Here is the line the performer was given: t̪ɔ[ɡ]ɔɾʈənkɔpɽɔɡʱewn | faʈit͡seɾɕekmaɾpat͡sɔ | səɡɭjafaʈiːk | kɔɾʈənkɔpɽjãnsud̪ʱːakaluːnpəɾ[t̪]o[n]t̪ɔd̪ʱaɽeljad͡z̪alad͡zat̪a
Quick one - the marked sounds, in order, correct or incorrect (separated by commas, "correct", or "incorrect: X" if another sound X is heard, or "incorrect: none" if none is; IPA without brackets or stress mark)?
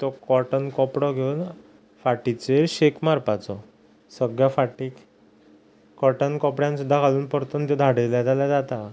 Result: incorrect: k, correct, correct